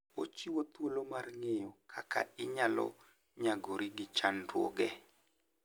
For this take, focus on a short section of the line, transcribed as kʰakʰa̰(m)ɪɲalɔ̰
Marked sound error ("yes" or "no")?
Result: yes